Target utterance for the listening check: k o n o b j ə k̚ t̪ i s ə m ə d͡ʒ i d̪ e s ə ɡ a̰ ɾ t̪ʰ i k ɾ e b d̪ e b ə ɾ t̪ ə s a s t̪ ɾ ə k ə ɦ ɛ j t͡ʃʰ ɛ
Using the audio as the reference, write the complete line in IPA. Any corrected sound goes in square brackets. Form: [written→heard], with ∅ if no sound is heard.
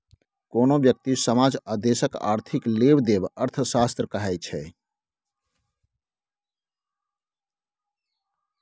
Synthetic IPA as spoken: k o n o b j ə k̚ t̪ i s ə m [ə→a] d͡ʒ [i→a] d̪ e s ə [ɡ→k] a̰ ɾ t̪ʰ i k [ɾ→l] e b d̪ e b ə ɾ [t̪→t̪ʰ] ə s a s t̪ ɾ ə k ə ɦ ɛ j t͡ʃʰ ɛ